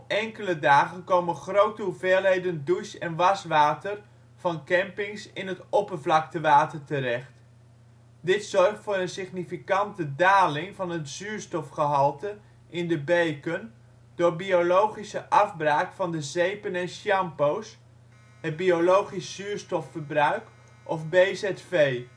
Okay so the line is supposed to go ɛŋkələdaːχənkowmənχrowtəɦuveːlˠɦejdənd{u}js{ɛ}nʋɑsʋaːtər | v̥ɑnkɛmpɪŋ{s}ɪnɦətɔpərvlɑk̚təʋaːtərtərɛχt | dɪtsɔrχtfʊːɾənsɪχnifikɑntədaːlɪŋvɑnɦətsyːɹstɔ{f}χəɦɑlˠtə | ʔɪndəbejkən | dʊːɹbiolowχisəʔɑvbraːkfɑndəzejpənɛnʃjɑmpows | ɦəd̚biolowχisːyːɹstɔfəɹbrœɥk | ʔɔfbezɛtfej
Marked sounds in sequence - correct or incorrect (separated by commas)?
correct, correct, correct, correct